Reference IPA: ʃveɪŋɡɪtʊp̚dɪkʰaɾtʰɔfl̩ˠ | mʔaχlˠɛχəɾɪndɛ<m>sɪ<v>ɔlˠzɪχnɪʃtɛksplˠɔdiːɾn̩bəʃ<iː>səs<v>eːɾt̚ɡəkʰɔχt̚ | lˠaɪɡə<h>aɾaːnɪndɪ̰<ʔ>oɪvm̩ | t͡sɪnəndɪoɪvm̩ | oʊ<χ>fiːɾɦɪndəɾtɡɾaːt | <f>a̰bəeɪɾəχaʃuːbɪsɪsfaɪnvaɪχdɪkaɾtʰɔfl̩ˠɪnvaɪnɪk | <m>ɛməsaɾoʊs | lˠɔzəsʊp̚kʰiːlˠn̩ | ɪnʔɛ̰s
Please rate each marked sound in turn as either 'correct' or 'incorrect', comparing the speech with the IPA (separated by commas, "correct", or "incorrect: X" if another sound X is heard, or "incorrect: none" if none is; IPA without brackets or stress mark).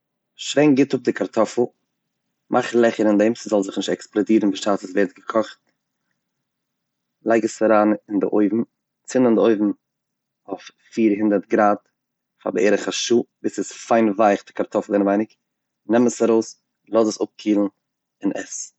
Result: correct, incorrect: z, incorrect: aː, correct, incorrect: s, correct, incorrect: f, correct, incorrect: n